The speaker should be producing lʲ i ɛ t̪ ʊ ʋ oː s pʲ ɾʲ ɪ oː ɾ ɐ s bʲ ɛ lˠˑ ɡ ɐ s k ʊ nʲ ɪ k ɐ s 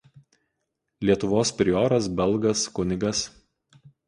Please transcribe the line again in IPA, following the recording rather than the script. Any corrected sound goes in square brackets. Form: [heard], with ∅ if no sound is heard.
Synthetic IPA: lʲ i ɛ t̪ ʊ ʋ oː s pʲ ɾʲ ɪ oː ɾ ɐ s bʲ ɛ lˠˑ ɡ ɐ s k ʊ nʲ ɪ [ɡ] ɐ s